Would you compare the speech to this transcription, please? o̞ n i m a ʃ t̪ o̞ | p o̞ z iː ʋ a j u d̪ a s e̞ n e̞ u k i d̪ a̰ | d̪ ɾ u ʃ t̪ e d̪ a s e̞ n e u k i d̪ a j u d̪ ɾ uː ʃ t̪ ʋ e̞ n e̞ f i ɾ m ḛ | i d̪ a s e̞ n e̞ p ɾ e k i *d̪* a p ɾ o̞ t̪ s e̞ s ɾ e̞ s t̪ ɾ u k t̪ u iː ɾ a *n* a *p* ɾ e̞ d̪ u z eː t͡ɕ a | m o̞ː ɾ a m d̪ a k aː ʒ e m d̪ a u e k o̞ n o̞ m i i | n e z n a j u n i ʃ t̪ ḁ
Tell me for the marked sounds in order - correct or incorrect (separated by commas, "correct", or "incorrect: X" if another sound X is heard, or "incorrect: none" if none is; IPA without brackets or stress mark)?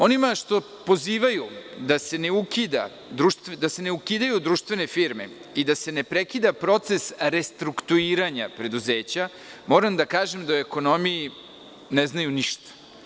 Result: correct, incorrect: ɲ, correct